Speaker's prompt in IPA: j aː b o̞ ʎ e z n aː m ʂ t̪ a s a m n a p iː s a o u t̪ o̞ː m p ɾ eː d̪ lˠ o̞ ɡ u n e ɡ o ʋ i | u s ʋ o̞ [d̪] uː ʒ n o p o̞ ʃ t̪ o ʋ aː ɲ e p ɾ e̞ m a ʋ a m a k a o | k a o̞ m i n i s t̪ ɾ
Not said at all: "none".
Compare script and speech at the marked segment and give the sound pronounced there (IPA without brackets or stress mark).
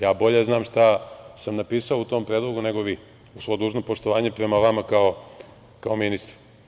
d̪